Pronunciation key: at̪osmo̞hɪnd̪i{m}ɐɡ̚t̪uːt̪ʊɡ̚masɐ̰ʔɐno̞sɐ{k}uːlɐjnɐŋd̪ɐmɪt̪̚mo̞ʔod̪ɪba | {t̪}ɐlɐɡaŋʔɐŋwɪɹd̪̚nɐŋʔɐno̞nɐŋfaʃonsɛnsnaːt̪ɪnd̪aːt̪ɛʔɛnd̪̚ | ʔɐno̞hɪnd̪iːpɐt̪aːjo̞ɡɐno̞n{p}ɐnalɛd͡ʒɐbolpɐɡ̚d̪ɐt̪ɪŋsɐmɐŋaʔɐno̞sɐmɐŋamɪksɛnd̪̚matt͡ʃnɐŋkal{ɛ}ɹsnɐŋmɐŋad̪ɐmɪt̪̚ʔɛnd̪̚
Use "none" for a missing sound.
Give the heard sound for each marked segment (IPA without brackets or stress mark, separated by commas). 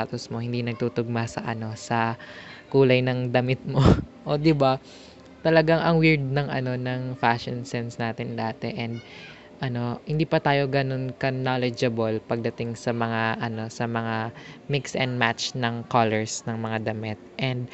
n, k, t̪, k, ɛ